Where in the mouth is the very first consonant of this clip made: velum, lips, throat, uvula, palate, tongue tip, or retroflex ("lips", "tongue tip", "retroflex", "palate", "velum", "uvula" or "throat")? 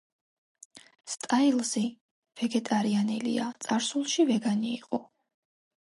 tongue tip